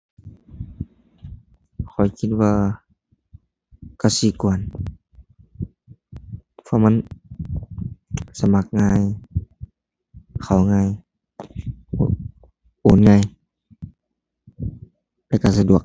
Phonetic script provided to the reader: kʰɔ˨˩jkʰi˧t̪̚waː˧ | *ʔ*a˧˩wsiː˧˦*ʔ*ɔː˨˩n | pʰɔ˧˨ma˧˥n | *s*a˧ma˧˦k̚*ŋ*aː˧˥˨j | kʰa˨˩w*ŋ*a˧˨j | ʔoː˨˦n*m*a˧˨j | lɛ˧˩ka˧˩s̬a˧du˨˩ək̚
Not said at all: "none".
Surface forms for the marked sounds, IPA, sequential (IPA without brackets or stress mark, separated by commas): k, k, s, ŋ, ŋ, ŋ